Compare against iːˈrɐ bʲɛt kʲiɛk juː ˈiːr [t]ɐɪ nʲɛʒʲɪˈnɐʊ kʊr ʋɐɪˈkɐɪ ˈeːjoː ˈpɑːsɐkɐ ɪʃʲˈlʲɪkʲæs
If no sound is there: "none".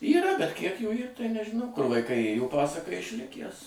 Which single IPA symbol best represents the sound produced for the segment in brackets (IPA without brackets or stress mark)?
t